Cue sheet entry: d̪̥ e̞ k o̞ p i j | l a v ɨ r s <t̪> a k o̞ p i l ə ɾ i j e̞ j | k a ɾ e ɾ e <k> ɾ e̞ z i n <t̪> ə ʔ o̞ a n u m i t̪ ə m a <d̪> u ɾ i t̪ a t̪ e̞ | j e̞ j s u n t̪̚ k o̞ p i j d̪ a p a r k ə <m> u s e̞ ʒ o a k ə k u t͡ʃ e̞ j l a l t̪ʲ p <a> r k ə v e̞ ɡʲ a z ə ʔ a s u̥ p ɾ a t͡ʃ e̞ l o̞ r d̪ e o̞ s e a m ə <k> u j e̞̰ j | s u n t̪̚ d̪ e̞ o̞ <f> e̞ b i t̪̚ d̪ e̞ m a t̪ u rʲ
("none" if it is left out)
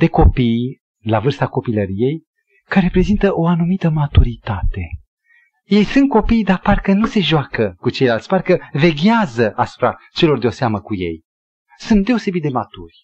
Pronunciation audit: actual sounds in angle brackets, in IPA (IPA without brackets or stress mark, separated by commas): t̪, p, t̪, t̪, n, a, k, s